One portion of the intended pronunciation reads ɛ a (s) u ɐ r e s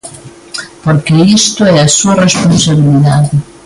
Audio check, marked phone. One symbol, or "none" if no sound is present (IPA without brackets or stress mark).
s